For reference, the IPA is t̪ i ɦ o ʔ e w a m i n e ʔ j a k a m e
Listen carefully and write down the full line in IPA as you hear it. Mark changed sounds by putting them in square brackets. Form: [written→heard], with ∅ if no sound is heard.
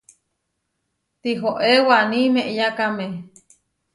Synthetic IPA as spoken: t̪ i ɦ o ʔ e w a [m→n] i [n→m] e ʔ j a k a m e